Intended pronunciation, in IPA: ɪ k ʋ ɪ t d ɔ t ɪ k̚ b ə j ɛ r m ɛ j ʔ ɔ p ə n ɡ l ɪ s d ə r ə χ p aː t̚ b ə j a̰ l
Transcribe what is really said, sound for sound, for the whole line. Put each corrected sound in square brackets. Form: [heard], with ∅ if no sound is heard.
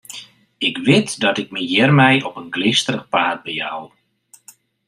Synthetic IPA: ɪ k ʋ ɪ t d ɔ t ɪ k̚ [m] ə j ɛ r m ɛ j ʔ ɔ p ə n ɡ l ɪ s [t] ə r ə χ p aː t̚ b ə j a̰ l